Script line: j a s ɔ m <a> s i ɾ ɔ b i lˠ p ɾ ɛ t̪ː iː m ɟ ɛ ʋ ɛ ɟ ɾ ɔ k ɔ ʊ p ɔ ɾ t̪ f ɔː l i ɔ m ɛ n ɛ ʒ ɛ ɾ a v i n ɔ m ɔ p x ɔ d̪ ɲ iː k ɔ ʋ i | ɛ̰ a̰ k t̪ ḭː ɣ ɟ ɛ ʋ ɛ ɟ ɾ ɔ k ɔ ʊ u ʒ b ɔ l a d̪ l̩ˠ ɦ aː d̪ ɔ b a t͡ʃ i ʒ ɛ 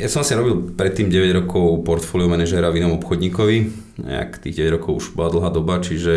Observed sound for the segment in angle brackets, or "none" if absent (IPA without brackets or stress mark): a